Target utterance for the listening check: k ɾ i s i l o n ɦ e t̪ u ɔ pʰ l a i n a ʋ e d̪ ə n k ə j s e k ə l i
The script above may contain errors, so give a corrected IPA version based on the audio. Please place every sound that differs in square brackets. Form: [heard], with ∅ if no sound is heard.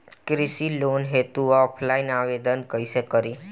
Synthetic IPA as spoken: k ɾ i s i l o n ɦ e t̪ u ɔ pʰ l a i n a ʋ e d̪ ə n k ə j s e k ə [ɾ] i